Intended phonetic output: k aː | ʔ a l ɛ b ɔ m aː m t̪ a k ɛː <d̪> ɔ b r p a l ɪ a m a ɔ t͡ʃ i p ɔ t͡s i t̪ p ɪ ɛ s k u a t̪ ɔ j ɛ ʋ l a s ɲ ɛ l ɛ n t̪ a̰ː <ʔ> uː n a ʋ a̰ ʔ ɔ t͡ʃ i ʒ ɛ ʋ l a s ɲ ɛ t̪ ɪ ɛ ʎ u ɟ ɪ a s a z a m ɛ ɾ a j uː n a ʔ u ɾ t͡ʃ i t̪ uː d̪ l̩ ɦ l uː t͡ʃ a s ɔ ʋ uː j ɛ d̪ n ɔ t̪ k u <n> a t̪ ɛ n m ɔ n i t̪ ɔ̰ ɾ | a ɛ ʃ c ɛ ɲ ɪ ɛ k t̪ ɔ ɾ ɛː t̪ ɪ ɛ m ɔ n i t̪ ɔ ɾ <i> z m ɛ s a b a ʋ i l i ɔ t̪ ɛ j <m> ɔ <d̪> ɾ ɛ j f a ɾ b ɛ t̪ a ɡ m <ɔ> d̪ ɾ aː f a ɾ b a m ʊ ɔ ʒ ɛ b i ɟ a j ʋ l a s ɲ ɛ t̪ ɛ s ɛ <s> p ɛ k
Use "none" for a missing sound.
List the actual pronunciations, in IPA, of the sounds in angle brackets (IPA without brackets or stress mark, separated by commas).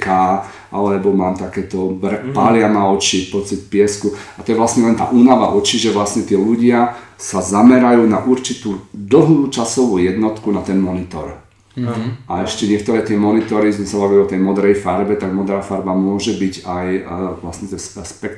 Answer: t̪, ʔ, n, i, m, d̪, ɔ, s